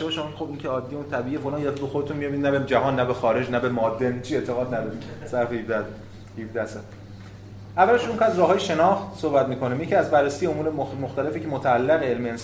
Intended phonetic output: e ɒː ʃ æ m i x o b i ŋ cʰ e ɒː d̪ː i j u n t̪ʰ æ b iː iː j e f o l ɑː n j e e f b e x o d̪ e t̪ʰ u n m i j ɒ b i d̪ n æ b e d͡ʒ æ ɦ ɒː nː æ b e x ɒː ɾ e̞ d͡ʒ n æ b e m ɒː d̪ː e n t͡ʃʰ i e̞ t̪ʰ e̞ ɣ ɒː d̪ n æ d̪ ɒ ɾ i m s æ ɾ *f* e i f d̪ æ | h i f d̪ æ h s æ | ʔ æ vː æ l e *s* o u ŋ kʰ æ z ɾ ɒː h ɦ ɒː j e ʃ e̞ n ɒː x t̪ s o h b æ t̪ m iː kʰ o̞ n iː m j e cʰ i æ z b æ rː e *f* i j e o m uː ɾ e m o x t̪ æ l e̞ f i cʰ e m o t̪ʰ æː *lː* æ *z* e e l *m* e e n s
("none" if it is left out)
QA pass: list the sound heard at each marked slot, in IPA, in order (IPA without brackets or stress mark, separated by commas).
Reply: f, ʃ, s, lː, ɣ, m